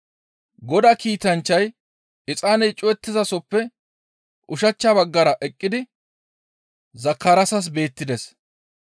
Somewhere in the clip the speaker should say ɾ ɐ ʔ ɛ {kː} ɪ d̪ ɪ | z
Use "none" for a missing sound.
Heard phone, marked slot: kʼː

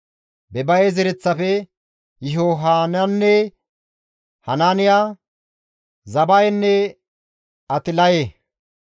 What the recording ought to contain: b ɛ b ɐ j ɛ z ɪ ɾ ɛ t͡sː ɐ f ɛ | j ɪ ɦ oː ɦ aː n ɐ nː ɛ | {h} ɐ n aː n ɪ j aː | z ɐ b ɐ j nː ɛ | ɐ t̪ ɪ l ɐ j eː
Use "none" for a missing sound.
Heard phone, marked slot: h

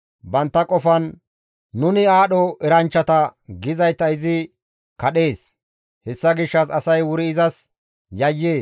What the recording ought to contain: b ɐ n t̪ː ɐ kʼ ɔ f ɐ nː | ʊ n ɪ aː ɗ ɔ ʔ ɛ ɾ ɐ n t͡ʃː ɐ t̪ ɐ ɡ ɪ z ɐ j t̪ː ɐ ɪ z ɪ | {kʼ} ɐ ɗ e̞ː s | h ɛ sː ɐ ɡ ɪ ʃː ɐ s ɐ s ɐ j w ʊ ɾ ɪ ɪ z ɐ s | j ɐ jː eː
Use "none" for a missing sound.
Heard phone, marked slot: k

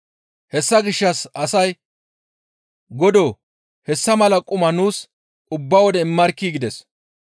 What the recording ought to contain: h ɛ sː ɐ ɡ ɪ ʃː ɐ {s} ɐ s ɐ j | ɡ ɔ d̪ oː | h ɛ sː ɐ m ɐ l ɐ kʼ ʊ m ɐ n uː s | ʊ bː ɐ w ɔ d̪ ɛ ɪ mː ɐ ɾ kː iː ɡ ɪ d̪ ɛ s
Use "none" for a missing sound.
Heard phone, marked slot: s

